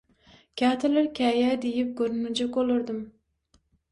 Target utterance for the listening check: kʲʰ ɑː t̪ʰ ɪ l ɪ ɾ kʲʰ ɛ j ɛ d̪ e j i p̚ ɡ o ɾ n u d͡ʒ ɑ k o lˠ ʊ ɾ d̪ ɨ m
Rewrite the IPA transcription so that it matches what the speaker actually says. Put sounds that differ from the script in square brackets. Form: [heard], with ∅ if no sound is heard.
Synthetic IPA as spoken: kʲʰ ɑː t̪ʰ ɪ l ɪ ɾ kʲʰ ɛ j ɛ d̪ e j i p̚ ɡ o ɾ n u d͡ʒ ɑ k o lˠ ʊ ɾ d̪ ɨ m